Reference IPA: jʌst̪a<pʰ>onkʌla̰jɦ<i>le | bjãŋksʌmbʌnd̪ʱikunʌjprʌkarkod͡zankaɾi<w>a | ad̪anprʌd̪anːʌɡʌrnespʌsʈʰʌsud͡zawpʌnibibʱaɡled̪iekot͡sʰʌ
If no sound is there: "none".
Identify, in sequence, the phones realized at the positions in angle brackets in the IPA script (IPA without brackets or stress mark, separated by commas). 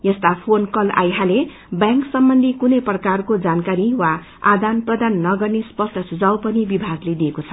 pʰ, a, w